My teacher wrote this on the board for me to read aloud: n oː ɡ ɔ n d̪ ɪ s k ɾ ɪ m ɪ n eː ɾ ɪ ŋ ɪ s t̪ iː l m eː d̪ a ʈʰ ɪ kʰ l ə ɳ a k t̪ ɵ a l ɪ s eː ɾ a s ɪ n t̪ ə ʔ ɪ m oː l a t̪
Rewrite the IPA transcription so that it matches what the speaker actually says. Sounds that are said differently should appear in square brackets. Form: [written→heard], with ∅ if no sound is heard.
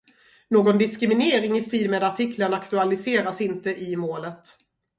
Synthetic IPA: n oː ɡ ɔ n d̪ ɪ s k ɾ ɪ m ɪ n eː ɾ ɪ ŋ ɪ s t̪ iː l m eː d̪ a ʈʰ ɪ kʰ l ə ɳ a k t̪ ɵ a l ɪ s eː ɾ a s ɪ n t̪ ə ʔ ɪ m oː l [a→ə] t̪